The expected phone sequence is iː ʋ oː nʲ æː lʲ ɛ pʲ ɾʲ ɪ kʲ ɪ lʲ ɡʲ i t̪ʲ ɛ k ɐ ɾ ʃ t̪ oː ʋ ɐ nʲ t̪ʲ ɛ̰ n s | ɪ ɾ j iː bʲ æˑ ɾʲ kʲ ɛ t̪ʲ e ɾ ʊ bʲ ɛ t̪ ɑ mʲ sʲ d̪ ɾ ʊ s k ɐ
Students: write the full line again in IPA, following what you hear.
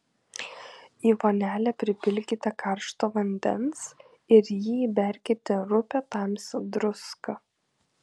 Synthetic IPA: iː ʋ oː nʲ æː lʲ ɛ pʲ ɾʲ ɪ pʲ ɪ lʲ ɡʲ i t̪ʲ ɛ k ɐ ɾ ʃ t̪ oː ʋ ɐ nʲ d̪ʲ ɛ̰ n s | ɪ ɾ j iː bʲ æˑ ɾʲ kʲ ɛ t̪ʲ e ɾ ʊ pʲ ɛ t̪ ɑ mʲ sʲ d̪ ɾ ʊ s k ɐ